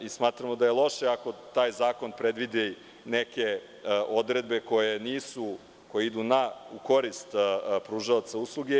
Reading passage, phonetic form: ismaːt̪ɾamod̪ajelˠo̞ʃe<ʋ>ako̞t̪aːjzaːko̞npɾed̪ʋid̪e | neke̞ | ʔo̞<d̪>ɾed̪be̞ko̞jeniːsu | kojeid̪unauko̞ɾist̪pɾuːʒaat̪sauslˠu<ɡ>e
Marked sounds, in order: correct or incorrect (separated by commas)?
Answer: incorrect, correct, correct